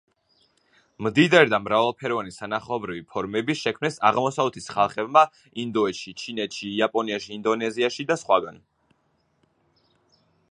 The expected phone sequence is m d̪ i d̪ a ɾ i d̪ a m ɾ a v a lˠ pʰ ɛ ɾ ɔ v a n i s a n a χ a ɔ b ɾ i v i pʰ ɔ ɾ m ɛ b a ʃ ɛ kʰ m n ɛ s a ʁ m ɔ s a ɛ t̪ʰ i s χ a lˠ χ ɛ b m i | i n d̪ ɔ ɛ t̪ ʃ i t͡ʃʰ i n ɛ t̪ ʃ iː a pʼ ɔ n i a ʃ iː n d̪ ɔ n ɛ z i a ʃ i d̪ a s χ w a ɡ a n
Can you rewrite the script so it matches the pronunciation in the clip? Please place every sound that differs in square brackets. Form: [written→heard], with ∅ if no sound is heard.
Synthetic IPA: m d̪ i d̪ a ɾ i d̪ a m ɾ a v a lˠ pʰ ɛ ɾ ɔ v a n i s a n a χ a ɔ b ɾ i v i pʰ ɔ ɾ m ɛ b [a→i] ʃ ɛ kʰ m n ɛ s a ʁ m ɔ s a ɛ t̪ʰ i s χ a lˠ χ ɛ b m [i→a] | i n d̪ ɔ ɛ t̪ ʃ i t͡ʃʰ i n ɛ t̪ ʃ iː a pʼ ɔ n i a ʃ iː n d̪ ɔ n ɛ z i a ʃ i d̪ a s χ w a ɡ a n